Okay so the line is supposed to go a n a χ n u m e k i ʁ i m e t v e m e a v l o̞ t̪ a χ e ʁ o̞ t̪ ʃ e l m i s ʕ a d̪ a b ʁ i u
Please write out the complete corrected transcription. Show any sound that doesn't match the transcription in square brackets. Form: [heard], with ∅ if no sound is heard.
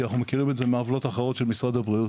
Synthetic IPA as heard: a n a χ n u m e k i ʁ i m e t [z] e m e a v l o̞ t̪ a χ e ʁ o̞ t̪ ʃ e l m i s [ʁ] a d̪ a b ʁ i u

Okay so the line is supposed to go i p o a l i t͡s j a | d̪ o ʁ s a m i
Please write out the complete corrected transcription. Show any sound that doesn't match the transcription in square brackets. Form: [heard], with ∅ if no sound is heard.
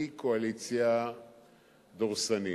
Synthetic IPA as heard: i [k] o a l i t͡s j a | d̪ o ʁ s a [n] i

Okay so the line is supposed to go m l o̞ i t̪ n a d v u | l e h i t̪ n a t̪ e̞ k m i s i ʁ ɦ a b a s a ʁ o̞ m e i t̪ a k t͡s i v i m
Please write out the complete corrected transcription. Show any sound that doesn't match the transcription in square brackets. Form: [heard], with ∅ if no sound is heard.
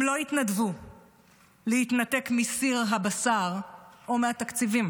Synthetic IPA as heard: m l o̞ i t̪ n a d v u | l e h i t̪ n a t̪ e̞ k m i s i ʁ ɦ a b a s a ʁ o̞ m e [a] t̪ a k t͡s i v i m

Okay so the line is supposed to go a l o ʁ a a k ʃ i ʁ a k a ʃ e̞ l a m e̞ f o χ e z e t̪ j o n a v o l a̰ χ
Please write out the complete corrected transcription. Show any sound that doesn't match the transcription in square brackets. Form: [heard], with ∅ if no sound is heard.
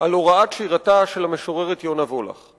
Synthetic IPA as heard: a l o ʁ a a [t] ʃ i ʁ a [t] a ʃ e̞ l a m e̞ [ʃ] o [ʁ] e [ʁ] e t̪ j o n a v o l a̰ χ

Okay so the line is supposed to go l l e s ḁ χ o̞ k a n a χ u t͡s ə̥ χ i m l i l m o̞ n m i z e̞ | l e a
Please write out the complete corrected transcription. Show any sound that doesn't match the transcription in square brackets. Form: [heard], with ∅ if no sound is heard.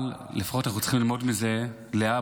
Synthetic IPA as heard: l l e [f] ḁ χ o̞ [t] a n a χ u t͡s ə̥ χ i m l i l m o̞ [d] m i z e̞ | l e a

